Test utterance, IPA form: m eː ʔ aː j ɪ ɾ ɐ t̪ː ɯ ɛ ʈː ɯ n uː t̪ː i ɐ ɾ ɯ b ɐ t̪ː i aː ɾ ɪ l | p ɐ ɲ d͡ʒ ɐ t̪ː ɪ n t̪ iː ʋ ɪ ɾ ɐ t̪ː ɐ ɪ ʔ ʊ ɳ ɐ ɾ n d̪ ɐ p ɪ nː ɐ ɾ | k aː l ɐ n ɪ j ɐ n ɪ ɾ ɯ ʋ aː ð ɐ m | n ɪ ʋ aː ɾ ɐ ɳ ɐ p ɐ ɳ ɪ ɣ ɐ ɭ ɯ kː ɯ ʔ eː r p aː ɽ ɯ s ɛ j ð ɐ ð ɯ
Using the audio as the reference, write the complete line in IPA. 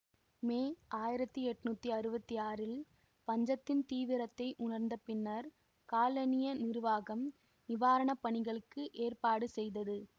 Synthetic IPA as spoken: m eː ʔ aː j ɪ ɾ ɐ t̪ː ɯ ɛ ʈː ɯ n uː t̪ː i ɐ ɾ ɯ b ɐ t̪ː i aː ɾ ɪ l | p ɐ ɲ d͡ʒ ɐ t̪ː ɪ n t̪ iː ʋ ɪ ɾ ɐ t̪ː ɐ ɪ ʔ ʊ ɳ ɐ ɾ n d̪ ɐ p ɪ nː ɐ ɾ | k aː l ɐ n ɪ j ɐ n ɪ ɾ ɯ ʋ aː ɣ ɐ m | n ɪ ʋ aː ɾ ɐ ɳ ɐ p ɐ ɳ ɪ ɣ ɐ ɭ ɯ kː ɯ ʔ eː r p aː ɽ ɯ s ɛ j ð ɐ ð ɯ